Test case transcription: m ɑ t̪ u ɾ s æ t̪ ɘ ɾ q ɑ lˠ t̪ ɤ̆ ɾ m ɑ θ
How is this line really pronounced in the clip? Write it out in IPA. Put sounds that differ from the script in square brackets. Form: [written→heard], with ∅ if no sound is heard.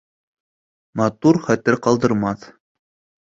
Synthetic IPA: m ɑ t̪ u ɾ [s→χ] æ t̪ ɘ ɾ q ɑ lˠ [t̪→d̪] ɤ̆ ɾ m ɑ θ